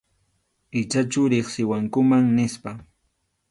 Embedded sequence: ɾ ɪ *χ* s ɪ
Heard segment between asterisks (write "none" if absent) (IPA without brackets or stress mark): χ